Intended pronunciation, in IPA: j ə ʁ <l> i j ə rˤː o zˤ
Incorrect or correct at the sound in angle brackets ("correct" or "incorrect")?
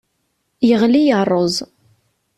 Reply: correct